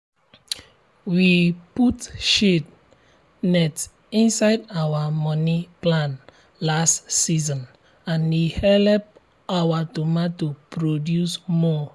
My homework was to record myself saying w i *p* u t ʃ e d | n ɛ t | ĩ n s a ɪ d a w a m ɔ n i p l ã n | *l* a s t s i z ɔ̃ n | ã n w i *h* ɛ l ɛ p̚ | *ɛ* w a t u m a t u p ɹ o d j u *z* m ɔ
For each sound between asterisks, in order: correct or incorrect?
correct, correct, correct, incorrect, incorrect

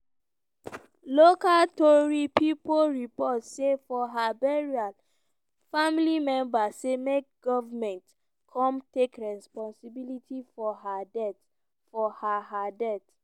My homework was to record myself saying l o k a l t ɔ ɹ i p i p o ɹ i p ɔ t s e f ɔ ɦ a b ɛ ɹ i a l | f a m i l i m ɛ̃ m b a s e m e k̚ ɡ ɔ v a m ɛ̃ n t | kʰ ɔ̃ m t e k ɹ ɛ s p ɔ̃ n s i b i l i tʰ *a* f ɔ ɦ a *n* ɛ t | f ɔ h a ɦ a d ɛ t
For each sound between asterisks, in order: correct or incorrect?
incorrect, incorrect

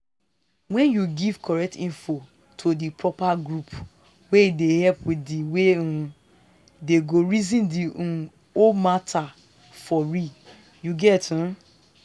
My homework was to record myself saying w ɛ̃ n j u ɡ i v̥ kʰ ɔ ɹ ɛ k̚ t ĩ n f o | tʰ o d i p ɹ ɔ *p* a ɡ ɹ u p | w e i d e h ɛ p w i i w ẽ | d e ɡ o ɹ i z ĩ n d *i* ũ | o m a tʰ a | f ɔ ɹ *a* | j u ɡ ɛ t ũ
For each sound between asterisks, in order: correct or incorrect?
correct, correct, incorrect

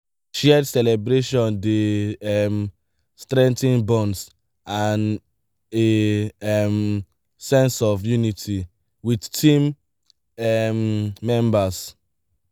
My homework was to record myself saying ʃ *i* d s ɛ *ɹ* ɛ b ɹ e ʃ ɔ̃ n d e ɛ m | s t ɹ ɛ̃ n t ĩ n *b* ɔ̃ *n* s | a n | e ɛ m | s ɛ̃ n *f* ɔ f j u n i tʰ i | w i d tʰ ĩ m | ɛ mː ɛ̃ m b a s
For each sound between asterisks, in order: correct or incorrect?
incorrect, incorrect, correct, correct, incorrect

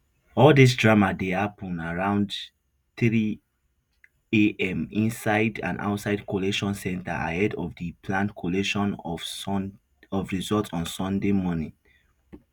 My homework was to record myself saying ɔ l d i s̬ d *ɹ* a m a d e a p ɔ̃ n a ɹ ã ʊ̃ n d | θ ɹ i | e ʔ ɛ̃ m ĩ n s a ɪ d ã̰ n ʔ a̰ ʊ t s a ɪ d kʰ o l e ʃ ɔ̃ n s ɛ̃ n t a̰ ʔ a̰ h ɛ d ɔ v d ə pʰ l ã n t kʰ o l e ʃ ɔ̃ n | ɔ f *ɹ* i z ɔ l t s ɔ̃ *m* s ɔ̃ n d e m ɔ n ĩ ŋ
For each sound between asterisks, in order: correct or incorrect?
correct, correct, incorrect

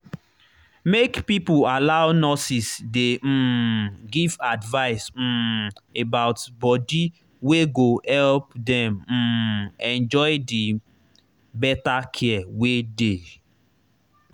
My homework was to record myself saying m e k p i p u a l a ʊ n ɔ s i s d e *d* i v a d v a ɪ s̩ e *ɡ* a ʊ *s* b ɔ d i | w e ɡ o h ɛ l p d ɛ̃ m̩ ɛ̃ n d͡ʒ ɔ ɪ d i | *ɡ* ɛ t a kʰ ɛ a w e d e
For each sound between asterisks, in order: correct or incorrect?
incorrect, incorrect, incorrect, incorrect

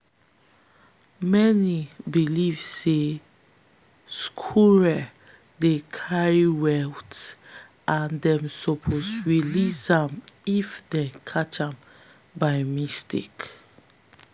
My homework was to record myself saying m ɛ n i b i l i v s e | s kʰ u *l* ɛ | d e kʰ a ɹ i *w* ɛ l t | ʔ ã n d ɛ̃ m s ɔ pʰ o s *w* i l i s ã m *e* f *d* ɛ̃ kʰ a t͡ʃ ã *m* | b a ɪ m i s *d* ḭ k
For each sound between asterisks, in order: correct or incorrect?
incorrect, correct, correct, incorrect, correct, correct, incorrect

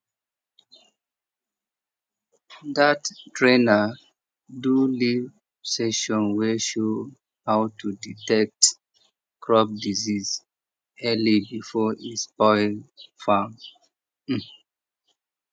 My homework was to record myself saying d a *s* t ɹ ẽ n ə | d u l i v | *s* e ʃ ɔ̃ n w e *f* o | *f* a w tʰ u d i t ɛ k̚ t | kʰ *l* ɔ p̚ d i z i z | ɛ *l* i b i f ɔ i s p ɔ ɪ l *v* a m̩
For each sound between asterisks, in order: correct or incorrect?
incorrect, correct, incorrect, incorrect, incorrect, correct, incorrect

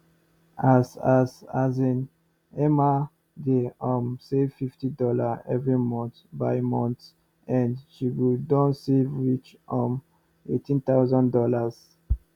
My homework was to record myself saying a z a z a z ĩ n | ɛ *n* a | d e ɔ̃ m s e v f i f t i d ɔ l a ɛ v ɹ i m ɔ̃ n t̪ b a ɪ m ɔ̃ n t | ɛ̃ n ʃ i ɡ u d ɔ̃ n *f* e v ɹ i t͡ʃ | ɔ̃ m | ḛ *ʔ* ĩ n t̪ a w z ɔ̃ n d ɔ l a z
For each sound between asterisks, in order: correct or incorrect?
incorrect, incorrect, incorrect

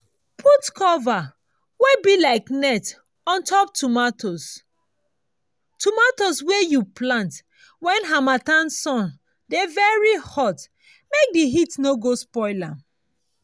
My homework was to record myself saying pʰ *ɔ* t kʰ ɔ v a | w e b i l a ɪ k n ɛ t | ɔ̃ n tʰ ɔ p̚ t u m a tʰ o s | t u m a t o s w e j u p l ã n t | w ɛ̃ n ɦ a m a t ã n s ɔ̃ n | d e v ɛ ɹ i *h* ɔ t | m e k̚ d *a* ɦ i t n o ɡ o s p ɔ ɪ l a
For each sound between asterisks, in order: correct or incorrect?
incorrect, correct, incorrect

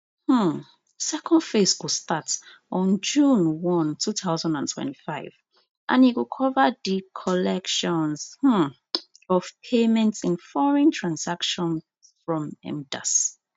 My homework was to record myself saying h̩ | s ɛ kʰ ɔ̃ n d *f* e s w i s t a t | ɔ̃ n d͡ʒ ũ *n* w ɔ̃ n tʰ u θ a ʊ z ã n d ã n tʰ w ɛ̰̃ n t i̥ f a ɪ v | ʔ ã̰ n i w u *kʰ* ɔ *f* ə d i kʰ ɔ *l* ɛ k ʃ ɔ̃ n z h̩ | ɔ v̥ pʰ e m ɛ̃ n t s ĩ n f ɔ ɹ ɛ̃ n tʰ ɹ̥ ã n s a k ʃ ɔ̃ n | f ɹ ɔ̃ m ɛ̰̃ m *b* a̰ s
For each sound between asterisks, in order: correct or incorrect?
correct, correct, correct, incorrect, correct, incorrect

